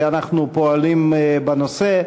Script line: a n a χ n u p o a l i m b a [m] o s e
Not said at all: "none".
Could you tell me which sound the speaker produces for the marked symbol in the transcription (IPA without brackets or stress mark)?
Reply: n